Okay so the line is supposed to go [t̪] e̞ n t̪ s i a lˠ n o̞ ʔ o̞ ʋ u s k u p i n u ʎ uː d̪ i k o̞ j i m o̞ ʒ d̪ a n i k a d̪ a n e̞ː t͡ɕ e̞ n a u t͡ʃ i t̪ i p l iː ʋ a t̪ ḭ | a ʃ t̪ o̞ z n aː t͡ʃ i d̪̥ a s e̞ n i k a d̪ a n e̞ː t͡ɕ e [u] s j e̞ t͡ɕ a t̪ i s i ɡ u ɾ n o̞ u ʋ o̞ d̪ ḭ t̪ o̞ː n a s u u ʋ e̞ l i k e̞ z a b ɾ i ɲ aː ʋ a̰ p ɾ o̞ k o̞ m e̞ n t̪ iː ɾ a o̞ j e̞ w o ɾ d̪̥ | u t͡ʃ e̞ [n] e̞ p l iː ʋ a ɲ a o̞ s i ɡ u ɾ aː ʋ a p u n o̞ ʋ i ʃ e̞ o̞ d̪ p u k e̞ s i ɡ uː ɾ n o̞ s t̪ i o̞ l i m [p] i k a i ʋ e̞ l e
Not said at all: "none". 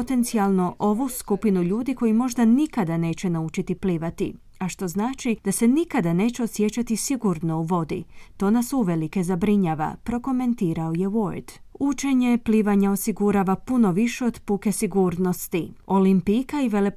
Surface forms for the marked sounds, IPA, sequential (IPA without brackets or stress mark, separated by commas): t̪, o, ɲ, p